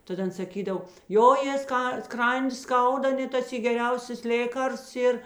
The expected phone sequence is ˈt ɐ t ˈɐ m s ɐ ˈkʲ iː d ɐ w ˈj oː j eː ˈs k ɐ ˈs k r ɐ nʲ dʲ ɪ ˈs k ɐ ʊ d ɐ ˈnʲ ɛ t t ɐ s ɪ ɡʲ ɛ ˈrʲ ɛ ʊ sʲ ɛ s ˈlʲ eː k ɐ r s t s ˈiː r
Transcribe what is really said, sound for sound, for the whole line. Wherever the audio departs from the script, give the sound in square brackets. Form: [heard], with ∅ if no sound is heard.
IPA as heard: ˈt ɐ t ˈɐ [n] s ɐ ˈkʲ iː d ɐ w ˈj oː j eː ˈs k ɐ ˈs k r ɐ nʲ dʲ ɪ ˈs k ɐ ʊ d ɐ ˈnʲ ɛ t t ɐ s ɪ ɡʲ ɛ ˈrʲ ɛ ʊ sʲ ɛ s ˈlʲ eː k ɐ r s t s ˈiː r